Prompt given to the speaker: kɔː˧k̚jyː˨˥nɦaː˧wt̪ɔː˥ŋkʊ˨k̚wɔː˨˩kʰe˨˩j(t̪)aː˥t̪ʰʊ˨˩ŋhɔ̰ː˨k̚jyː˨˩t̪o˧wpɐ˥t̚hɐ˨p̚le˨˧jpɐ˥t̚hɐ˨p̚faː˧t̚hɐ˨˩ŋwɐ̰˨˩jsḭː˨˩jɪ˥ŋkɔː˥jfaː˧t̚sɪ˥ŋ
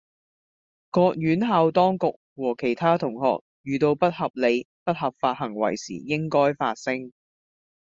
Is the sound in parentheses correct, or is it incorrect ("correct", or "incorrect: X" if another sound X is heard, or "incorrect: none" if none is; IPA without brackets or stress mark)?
incorrect: t̪ʰ